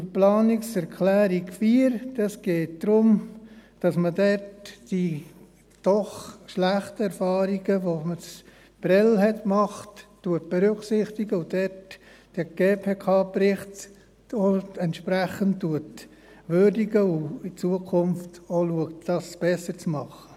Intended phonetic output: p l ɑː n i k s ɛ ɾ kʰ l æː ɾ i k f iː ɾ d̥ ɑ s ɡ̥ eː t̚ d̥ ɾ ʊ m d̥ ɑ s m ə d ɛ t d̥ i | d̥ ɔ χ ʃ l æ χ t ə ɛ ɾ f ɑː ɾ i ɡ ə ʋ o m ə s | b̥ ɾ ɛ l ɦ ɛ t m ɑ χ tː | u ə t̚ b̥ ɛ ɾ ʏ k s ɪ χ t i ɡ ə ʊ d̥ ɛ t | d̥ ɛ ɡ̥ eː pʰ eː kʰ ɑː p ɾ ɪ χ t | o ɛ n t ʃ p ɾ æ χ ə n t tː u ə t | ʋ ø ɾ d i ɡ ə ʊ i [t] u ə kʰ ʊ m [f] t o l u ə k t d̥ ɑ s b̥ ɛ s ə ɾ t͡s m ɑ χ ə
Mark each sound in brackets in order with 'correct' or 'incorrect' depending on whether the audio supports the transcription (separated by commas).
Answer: incorrect, correct